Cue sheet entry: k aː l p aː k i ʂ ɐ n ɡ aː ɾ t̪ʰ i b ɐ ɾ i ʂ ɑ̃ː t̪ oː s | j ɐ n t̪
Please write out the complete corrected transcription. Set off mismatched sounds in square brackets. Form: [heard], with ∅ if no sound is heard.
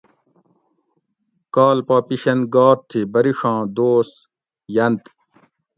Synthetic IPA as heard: k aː l p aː [p] i [ɕ] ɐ n ɡ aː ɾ t̪ʰ i b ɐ ɾ i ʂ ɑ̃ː [d̪] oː s | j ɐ n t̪